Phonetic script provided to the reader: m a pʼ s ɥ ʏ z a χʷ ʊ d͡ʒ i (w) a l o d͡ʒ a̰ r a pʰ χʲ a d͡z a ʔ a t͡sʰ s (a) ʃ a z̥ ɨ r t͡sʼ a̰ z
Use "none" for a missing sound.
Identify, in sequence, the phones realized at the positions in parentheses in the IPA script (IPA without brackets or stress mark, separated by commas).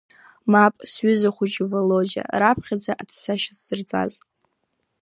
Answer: v, a